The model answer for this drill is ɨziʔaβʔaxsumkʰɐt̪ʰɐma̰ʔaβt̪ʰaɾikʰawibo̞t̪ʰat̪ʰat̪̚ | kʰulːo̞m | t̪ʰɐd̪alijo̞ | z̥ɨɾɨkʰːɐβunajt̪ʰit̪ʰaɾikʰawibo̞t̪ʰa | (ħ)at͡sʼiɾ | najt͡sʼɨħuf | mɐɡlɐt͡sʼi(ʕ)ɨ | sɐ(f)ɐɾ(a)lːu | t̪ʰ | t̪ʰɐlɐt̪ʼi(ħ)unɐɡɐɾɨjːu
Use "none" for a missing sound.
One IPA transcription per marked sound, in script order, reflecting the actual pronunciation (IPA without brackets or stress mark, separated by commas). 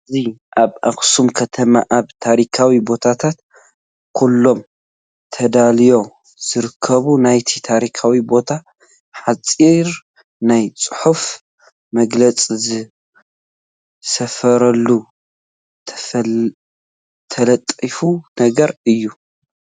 ħ, z, f, ɐ, f